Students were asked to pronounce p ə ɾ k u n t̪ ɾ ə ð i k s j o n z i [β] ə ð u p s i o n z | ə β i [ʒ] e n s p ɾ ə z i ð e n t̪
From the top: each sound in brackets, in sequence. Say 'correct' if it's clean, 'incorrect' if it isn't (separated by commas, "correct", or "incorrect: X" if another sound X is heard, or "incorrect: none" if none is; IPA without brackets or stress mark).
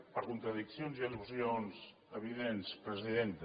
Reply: incorrect: none, incorrect: ð